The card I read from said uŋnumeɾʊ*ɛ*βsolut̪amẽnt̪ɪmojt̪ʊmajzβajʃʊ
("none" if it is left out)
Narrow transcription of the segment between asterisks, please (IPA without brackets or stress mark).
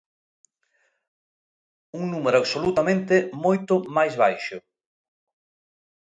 a